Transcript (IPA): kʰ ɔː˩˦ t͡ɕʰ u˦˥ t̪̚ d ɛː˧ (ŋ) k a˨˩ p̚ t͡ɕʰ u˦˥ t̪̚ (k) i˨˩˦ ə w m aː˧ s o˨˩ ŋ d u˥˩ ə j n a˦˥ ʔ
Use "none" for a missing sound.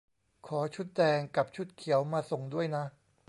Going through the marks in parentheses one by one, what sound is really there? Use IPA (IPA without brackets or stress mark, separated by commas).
ŋ, kʰ